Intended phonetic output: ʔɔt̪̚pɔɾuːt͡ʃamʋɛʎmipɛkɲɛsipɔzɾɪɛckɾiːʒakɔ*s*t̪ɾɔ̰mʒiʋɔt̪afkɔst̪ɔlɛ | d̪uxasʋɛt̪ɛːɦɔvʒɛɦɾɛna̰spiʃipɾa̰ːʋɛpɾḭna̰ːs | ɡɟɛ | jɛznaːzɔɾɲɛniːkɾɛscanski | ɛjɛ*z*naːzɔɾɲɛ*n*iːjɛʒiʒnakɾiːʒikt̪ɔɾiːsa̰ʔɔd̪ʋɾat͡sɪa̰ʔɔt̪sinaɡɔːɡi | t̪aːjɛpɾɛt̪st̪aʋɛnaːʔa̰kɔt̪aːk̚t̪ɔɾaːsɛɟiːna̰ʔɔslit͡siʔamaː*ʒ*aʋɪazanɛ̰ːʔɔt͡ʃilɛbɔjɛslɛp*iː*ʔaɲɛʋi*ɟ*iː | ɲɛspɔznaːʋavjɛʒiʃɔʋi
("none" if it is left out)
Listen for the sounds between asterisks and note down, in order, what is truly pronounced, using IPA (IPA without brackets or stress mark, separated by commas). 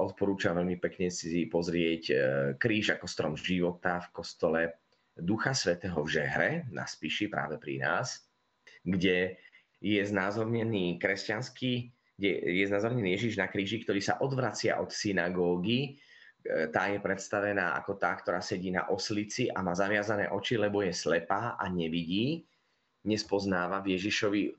s, z, n, z, aː, ɟ